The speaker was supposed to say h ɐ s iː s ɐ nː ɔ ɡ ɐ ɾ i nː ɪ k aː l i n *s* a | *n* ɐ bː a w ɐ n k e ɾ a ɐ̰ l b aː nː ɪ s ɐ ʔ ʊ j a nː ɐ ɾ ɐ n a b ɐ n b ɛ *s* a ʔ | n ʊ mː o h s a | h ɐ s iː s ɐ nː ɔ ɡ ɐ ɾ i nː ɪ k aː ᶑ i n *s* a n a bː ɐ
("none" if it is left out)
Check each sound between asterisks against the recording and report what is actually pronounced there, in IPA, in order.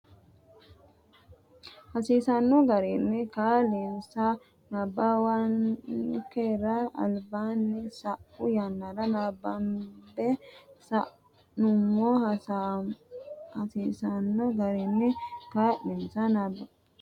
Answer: s, n, s, s

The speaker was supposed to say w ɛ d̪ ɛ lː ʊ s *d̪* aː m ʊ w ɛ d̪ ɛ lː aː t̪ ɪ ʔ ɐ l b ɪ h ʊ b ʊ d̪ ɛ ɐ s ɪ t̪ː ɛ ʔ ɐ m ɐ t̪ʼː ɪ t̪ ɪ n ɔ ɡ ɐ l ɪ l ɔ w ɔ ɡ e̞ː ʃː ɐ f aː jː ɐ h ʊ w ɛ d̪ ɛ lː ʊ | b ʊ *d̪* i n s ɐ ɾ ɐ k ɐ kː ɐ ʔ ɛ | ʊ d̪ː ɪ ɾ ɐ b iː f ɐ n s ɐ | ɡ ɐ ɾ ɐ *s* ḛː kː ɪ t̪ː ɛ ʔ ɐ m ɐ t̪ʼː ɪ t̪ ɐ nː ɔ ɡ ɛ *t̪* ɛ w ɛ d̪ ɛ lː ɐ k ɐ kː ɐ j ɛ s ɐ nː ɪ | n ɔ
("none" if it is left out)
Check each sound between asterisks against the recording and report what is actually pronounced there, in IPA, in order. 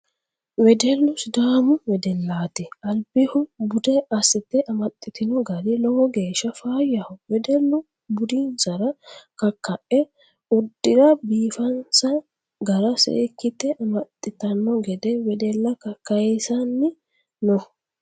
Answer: d̪, d̪, s, d̪

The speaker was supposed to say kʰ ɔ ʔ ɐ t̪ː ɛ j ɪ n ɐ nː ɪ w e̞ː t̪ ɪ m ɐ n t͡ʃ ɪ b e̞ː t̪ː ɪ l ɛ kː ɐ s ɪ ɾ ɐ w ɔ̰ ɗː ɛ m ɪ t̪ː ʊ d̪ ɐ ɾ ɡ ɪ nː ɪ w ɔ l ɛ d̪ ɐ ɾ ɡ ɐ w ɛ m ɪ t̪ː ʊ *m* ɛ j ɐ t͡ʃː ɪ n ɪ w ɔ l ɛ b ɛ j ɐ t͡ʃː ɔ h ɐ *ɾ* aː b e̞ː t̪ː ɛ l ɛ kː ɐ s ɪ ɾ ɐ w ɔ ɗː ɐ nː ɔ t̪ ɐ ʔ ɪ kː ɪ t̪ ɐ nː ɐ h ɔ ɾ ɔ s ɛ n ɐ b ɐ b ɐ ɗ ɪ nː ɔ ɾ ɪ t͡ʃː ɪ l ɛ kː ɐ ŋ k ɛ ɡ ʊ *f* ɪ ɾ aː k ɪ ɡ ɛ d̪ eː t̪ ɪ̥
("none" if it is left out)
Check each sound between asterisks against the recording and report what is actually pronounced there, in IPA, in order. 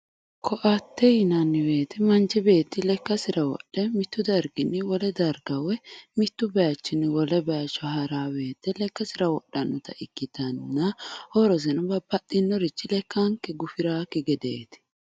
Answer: b, ɾ, f

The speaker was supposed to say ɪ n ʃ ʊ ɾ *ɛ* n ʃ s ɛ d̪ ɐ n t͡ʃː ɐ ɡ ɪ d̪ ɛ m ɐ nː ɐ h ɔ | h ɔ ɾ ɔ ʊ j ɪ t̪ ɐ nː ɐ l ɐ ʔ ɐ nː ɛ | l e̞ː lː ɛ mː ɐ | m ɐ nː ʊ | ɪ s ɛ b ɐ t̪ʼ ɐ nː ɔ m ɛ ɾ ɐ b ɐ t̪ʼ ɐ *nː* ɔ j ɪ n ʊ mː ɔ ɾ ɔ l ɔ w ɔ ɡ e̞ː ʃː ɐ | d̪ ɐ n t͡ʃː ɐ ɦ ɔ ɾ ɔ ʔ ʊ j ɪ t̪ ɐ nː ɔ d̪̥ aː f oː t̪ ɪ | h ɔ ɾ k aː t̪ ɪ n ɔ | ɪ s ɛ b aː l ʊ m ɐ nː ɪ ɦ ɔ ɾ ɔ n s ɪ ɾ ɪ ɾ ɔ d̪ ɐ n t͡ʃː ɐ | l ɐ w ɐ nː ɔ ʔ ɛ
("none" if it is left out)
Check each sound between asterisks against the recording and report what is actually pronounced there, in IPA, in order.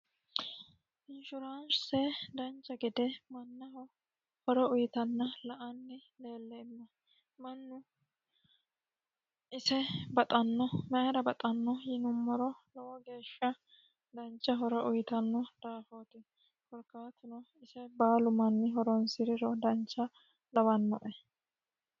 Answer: a, nː

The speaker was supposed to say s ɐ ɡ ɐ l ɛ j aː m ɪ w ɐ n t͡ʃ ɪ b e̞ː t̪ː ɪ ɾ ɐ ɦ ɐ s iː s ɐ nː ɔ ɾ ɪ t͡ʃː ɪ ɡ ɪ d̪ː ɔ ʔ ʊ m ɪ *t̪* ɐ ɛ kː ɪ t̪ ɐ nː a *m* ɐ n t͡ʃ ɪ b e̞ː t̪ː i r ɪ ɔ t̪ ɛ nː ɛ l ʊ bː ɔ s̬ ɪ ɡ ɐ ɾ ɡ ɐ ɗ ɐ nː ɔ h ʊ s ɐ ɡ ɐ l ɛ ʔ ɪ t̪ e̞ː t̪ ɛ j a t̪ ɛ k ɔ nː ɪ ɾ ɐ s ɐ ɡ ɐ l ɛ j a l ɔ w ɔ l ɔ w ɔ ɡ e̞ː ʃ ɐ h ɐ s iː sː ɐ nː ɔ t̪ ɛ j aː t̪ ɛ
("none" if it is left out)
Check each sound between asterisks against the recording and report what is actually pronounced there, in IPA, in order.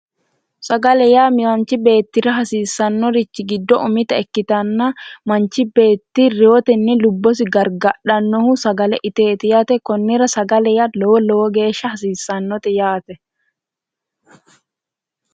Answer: t̪, m

